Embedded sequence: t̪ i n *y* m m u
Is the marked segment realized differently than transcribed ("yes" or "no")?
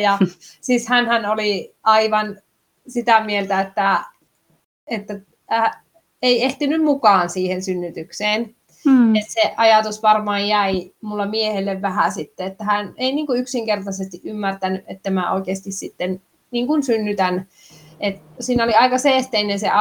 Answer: no